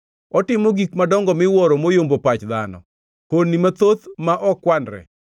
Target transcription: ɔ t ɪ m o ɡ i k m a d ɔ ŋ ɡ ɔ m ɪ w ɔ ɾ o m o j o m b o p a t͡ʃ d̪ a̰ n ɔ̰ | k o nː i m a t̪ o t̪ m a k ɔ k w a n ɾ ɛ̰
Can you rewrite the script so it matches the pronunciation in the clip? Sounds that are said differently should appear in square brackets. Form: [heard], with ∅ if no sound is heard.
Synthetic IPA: ɔ t ɪ m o ɡ i k m a d ɔ ŋ ɡ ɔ m ɪ w ɔ ɾ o m o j o m b o p a t͡ʃ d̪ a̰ n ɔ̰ | k o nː i m a t̪ o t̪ m a [ʔ] ɔ k w a n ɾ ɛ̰

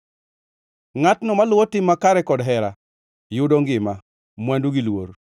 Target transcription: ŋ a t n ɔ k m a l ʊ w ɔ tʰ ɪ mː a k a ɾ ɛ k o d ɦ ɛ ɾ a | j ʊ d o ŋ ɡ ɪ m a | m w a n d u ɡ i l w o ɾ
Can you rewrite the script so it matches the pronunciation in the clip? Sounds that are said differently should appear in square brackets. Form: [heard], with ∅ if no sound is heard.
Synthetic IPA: ŋ a t n ɔ [∅] m a l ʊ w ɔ [t] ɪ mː a k a ɾ ɛ k [ɔ] d ɦ ɛ ɾ a | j ʊ d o ŋ ɡ ɪ m a | m w a n d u ɡ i l w o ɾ

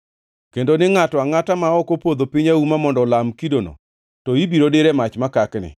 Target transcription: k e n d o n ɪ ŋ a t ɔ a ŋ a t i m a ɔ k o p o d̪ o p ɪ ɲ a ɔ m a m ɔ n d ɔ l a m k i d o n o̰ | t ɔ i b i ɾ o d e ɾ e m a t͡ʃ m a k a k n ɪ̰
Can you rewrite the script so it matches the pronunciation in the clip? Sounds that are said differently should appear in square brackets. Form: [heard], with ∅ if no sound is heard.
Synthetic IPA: k e n d o n ɪ ŋ a t ɔ a ŋ a t [a] m a ɔ k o p o d̪ o p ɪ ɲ a [u] m a m ɔ n d ɔ l a m k i d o n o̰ | t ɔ i b i ɾ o d e ɾ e m a t͡ʃ m a k a k n ɪ̰

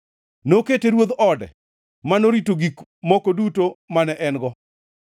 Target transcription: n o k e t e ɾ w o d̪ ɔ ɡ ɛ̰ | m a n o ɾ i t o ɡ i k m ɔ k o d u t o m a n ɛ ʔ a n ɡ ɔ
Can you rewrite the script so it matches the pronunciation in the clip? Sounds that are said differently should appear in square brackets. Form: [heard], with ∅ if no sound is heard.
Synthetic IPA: n o k e t e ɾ w o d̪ ɔ [d] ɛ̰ | m a n o ɾ i t o ɡ i k m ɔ k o d u t o m a n ɛ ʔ [ɛ] n ɡ ɔ

